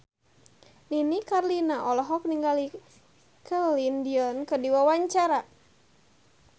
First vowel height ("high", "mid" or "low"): high